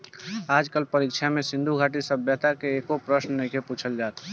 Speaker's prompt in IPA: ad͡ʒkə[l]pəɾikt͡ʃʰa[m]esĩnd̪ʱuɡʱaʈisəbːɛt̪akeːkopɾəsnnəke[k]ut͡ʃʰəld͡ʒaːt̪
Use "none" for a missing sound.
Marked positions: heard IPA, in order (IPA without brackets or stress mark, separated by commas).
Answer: l, m, p